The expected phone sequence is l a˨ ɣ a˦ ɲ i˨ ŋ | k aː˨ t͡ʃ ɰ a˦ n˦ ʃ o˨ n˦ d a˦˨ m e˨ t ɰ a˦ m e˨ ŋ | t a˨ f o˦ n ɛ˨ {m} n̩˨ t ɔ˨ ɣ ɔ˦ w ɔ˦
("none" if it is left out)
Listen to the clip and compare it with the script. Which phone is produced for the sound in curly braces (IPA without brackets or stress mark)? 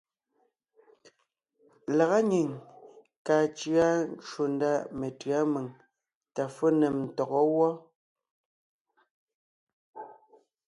m